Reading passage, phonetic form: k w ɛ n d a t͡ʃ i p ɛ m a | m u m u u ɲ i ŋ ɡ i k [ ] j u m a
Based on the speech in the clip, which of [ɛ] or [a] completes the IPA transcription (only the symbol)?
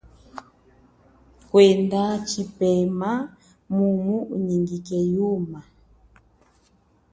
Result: ɛ